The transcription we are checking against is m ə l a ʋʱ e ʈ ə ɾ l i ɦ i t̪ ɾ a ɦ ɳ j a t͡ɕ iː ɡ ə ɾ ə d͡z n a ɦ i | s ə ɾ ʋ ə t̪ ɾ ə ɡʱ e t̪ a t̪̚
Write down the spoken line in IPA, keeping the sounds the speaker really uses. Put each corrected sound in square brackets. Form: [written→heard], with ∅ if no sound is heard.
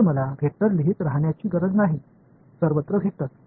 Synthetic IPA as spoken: m ə l a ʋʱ e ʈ ə ɾ l i ɦ i t̪ ɾ a ɦ ɳ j a t͡ɕ iː ɡ ə ɾ ə d͡z n a ɦ i | s ə ɾ ʋ ə t̪ ɾ ə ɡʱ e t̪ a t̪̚